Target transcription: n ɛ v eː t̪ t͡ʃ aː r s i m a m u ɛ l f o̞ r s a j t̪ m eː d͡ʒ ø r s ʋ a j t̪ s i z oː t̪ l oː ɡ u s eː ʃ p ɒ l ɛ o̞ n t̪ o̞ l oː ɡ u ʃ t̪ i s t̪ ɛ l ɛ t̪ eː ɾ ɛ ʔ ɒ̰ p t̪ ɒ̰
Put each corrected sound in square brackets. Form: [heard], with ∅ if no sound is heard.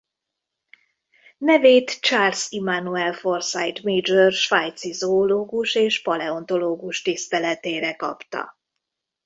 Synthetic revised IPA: n ɛ v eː t̪ t͡ʃ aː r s i m a [n] u ɛ l f o̞ r s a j t̪ m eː d͡ʒ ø r [ʃ] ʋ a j t̪ s i z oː [∅] l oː ɡ u [ʃ] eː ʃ p ɒ l ɛ o̞ n t̪ o̞ l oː ɡ u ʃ t̪ i s t̪ ɛ l ɛ t̪ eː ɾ ɛ [k] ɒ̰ p t̪ ɒ̰